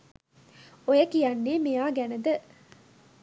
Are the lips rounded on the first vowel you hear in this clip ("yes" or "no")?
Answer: yes